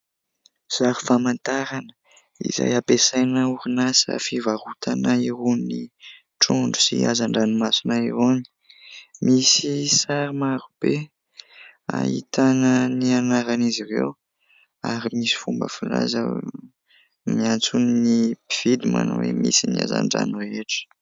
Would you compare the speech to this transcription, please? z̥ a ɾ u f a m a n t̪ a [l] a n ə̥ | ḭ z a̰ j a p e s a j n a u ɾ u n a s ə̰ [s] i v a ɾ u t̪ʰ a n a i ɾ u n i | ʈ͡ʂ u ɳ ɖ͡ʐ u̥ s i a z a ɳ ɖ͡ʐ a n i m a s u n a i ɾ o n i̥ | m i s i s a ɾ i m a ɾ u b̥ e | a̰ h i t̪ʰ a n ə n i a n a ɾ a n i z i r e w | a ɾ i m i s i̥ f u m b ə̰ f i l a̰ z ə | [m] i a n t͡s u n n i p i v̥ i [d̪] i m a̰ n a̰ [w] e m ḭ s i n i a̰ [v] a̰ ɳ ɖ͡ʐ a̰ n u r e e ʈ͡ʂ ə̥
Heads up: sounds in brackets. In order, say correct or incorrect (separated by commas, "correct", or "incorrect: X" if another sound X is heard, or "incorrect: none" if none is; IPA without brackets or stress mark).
incorrect: ɾ, incorrect: f, correct, correct, correct, incorrect: z